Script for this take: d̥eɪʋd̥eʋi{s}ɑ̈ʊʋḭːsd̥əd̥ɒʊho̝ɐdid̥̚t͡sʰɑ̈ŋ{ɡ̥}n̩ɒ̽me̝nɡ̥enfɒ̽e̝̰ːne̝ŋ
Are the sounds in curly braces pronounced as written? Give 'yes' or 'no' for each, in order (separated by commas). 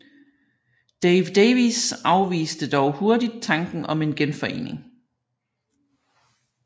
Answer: yes, yes